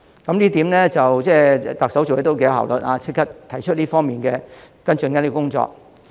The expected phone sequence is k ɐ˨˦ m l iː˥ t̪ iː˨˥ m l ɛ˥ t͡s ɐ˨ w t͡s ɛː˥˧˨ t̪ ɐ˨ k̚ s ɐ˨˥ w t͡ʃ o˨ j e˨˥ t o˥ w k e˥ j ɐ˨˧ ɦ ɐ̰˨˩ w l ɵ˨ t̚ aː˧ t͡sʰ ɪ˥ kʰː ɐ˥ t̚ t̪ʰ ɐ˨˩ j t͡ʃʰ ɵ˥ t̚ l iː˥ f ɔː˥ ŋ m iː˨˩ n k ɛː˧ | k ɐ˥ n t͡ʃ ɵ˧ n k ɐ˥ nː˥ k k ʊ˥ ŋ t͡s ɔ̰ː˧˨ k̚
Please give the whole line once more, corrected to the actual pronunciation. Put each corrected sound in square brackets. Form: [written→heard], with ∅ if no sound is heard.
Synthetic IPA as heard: k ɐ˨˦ m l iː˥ t̪ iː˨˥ m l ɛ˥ t͡s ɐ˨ w t͡s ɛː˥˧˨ t̪ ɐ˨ k̚ s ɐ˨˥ w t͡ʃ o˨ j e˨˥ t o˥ w k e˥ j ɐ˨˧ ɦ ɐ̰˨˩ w l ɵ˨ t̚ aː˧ t͡sʰ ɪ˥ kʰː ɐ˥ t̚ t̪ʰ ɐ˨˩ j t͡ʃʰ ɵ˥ t̚ l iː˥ f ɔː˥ ŋ m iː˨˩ n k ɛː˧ | k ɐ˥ n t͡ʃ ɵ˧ n k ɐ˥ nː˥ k k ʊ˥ ŋ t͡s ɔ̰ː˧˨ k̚